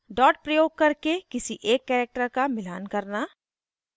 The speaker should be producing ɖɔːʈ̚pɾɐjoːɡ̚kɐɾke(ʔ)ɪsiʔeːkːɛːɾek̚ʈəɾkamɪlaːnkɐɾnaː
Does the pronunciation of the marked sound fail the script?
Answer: yes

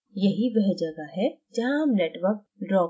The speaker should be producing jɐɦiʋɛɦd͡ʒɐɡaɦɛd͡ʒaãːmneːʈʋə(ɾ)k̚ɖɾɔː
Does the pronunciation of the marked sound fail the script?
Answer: no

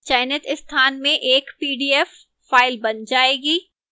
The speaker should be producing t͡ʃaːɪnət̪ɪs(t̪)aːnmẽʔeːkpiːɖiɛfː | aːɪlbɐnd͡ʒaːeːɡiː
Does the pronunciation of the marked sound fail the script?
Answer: yes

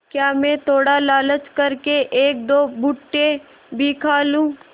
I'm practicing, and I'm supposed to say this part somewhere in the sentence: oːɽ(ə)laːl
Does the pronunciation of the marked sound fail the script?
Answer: yes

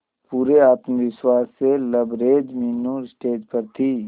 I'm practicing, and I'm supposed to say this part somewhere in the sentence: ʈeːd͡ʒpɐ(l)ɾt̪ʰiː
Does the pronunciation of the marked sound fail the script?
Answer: yes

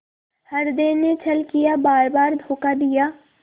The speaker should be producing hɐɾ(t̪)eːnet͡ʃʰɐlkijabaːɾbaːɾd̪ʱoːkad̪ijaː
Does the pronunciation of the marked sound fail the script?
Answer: yes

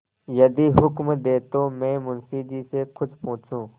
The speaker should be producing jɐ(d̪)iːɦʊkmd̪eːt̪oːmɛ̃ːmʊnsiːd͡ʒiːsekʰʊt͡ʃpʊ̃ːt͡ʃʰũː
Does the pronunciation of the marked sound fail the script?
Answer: no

